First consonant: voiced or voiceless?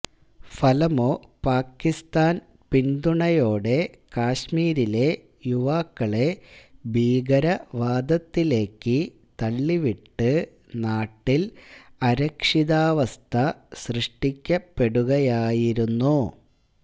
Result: voiceless